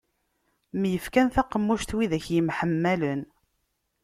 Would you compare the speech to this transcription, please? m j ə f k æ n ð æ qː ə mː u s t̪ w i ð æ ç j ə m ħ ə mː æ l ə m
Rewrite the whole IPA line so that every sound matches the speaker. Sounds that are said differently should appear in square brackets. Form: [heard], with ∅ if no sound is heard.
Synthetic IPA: m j ə f k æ n [θ] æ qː ə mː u [ʃ] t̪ w i ð æ ç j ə m ħ ə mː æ l ə [n]